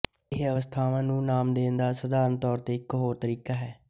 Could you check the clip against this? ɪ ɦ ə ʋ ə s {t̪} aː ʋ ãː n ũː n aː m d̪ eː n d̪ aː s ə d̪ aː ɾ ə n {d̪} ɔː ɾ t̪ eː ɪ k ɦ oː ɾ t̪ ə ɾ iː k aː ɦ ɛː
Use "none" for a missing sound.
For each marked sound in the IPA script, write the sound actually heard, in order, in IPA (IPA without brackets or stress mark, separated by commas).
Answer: t̪ʰ, t̪